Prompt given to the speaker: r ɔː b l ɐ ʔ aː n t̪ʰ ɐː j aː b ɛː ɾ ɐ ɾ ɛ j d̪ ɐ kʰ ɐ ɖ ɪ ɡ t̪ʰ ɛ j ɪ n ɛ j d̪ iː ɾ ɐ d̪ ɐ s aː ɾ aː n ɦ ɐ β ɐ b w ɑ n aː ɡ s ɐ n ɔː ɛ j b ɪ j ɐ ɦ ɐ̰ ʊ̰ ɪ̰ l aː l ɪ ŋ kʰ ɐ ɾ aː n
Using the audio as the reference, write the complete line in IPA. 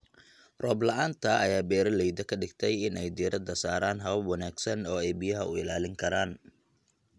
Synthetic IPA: r ɔː b l ɐ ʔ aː n t̪ʰ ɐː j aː b ɛː ɾ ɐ l ɛ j d̪ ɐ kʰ ɐ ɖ ɪ ɡ t̪ʰ ɛ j ɪ n ɛ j d̪ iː ɾ ɐ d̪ ɐ s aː ɾ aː n ɦ ɐ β ɐ b w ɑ n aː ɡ s ɐ n ɔː ɛ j b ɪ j ɐ ɦ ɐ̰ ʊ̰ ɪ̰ l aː l ɪ ŋ kʰ ɐ ɾ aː n

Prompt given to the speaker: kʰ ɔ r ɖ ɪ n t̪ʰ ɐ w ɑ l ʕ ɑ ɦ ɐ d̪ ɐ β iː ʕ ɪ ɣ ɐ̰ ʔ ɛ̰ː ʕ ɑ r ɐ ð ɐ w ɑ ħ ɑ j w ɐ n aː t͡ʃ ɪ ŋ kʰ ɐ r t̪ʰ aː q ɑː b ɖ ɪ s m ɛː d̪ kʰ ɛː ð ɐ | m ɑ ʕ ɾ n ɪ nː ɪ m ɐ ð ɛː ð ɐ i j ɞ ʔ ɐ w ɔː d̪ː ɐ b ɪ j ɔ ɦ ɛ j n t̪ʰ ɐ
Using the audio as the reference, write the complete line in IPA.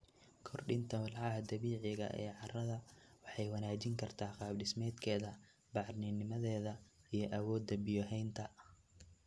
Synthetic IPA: kʰ ɔ r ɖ ɪ n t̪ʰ ɐ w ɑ l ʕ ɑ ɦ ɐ d̪ ɐ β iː ʕ ɪ ɣ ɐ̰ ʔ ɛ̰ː ʕ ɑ r ɐ ð ɐ w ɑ ħ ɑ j w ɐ n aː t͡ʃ ɪ ŋ kʰ ɐ r t̪ʰ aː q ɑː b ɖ ɪ s m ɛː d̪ kʰ ɛː ð ɐ | b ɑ ʕ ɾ n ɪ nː ɪ m ɐ ð ɛː ð ɐ i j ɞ ʔ ɐ w ɔː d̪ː ɐ b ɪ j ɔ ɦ ɛ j n t̪ʰ ɐ

